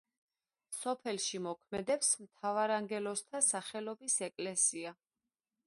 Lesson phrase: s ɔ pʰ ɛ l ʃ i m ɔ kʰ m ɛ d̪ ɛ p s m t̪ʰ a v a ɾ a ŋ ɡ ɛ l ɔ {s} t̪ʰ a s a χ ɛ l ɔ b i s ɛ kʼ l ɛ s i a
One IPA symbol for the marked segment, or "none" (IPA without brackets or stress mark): s